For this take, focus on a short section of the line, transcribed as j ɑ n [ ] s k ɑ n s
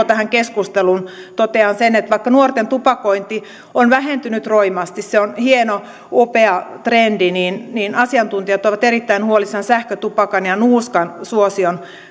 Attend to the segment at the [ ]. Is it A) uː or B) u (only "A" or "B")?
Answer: A